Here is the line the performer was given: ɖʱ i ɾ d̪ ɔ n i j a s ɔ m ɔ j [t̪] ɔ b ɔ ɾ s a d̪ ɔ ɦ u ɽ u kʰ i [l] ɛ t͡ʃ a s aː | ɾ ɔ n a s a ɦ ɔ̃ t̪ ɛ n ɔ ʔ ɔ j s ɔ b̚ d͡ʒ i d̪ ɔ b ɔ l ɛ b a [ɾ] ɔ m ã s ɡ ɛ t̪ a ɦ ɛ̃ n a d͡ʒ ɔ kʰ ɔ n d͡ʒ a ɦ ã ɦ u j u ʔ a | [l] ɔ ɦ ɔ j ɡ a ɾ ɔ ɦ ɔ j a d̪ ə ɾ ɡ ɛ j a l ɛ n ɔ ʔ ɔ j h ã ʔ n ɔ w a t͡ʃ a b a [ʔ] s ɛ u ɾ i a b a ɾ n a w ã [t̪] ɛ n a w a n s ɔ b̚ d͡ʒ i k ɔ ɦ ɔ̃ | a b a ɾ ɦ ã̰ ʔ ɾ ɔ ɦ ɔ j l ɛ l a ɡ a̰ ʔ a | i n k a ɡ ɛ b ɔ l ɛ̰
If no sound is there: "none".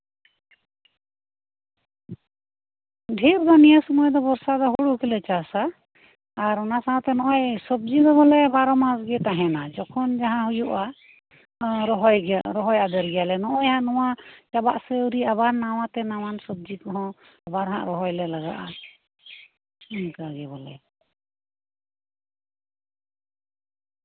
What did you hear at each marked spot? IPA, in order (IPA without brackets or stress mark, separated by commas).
d̪, l, ɾ, ɾ, ʔ, t̪